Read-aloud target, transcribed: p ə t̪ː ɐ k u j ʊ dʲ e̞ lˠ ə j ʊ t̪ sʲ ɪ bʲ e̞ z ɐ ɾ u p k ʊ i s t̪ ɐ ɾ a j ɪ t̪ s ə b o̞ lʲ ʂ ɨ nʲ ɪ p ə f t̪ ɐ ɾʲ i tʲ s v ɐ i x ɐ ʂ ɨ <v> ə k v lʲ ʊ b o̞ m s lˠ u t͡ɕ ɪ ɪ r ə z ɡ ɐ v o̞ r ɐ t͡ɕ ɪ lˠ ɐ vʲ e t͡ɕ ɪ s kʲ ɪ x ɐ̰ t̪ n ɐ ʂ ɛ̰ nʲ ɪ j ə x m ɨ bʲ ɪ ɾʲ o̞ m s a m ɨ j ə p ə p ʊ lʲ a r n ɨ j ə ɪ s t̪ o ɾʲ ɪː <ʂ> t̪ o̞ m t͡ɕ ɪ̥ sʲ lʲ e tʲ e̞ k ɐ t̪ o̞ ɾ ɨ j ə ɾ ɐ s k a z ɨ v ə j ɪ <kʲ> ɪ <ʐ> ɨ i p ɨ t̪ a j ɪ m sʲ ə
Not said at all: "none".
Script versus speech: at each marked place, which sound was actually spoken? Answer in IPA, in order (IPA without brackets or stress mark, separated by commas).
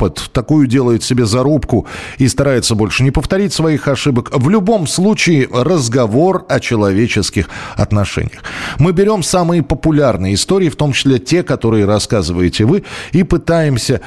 b, f, tʲ, v